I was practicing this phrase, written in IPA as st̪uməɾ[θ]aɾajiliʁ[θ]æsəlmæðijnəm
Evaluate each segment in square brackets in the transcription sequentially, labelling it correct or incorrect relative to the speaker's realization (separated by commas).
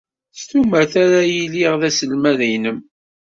correct, incorrect